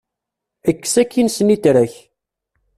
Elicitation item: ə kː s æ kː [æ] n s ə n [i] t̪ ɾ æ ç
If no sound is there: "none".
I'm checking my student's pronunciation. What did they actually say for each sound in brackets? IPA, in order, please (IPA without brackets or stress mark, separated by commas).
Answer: i, i